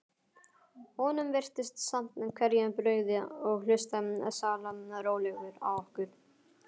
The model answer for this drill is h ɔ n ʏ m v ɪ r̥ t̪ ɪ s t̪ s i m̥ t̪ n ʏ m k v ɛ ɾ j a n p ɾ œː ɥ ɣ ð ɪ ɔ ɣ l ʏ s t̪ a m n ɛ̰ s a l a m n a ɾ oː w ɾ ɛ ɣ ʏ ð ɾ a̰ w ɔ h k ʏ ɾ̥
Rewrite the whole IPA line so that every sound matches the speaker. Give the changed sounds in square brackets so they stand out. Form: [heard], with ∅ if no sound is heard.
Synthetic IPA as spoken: h ɔ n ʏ m v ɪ r̥ t̪ ɪ s t̪ s [a] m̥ t̪ n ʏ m [kʰ] v ɛ ɾ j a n p ɾ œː ɥ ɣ ð ɪ ɔ ɣ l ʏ s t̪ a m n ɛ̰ s a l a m n a ɾ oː w [l] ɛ ɣ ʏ [∅] ɾ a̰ w ɔ h k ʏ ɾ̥